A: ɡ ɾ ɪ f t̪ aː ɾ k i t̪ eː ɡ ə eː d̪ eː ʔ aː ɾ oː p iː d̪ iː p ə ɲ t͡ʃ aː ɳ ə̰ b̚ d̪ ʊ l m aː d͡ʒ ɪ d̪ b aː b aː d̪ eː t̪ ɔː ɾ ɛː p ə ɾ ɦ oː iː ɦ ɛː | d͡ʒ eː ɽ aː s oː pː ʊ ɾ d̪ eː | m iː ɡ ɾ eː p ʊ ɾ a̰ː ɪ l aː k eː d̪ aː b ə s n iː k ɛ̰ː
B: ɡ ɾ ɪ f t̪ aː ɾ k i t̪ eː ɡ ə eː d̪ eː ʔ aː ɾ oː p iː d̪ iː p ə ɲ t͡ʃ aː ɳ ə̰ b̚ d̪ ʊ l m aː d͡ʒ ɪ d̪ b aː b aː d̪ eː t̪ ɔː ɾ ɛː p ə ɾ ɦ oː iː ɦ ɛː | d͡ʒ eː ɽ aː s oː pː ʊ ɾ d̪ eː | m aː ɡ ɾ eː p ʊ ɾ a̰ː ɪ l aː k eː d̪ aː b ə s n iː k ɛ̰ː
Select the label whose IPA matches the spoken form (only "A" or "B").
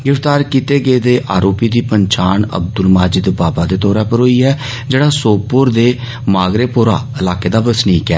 B